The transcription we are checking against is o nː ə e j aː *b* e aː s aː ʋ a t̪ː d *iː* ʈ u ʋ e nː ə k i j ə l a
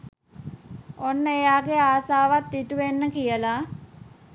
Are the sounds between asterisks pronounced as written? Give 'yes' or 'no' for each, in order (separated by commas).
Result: no, no